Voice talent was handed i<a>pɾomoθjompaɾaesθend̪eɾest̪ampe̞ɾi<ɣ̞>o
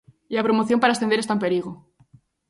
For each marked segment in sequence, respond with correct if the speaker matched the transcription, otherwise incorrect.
correct, correct

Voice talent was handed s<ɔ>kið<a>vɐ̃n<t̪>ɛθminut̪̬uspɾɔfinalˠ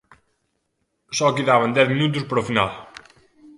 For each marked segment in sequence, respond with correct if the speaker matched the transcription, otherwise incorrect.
correct, correct, incorrect

